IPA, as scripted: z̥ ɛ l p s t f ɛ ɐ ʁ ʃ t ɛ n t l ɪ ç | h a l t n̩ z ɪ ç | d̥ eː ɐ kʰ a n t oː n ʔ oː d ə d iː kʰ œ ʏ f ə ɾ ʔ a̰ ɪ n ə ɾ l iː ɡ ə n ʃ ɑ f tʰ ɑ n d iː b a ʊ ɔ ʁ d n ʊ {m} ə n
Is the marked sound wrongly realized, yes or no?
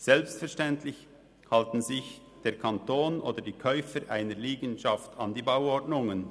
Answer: yes